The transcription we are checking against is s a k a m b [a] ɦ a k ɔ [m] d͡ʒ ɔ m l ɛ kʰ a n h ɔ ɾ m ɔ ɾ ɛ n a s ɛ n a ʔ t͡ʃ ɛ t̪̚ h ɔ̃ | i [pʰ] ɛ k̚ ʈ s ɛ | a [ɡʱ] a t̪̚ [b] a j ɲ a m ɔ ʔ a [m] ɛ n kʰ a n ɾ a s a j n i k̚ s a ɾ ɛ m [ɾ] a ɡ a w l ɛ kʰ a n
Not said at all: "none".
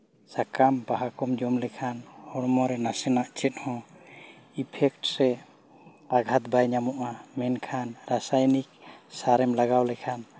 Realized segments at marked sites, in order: a, m, pʰ, ɡʱ, b, m, l

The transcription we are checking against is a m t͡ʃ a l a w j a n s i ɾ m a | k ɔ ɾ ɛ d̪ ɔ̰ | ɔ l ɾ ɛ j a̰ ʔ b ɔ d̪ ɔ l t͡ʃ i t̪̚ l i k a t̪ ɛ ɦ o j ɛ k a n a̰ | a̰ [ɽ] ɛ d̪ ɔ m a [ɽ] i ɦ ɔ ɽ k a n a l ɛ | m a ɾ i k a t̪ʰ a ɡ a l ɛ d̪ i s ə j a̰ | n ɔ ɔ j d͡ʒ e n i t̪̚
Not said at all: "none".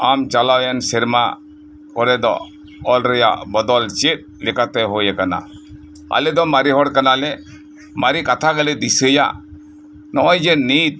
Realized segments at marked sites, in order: l, ɾ

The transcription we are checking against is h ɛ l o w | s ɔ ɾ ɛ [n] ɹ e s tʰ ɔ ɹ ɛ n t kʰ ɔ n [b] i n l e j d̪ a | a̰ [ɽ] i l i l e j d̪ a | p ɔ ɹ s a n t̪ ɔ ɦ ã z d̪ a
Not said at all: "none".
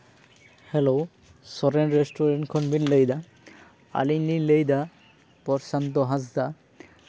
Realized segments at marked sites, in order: n, b, l

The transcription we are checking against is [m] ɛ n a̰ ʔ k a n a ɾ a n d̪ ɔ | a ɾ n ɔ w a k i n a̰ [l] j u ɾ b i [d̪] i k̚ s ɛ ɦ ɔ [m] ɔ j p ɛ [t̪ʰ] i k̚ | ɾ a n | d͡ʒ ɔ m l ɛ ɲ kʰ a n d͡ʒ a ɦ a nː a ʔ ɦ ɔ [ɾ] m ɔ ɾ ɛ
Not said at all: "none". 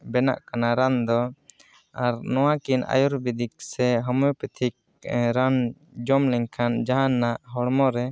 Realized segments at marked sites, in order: b, none, d̪, m, t̪ʰ, ɽ

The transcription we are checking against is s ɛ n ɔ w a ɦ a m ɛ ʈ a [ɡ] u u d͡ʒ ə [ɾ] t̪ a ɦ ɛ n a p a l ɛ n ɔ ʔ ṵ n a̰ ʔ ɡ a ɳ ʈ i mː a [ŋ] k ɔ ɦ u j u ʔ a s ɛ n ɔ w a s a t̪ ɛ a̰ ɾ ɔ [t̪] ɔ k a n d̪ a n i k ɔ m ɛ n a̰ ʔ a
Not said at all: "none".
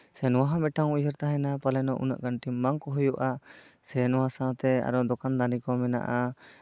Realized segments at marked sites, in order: ŋ, ɾ, ŋ, d̪

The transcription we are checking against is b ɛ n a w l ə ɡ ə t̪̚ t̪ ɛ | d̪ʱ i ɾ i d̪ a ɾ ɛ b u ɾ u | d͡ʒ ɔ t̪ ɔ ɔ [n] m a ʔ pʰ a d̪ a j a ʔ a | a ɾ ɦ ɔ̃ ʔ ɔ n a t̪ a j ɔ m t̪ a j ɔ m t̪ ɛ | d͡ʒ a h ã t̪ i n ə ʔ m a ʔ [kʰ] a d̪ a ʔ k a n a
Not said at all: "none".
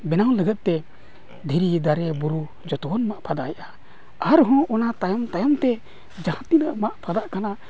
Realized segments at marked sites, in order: n, pʰ

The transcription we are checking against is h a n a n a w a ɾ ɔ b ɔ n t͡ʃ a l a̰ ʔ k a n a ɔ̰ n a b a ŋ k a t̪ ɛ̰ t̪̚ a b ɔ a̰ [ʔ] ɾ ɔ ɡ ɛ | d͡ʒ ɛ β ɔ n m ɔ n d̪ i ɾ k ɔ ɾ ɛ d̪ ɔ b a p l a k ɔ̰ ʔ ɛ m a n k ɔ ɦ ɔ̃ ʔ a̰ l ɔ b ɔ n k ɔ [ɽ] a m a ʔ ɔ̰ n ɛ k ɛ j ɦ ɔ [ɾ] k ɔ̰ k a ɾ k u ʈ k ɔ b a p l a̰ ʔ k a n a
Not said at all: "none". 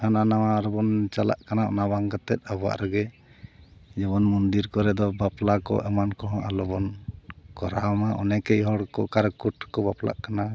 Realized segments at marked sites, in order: ʔ, ɾ, ɽ

